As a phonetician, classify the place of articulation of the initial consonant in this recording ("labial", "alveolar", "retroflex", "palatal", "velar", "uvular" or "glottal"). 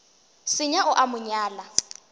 alveolar